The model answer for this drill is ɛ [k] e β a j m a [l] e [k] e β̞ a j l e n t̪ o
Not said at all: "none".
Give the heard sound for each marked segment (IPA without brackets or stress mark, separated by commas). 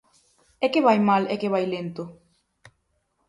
k, l, k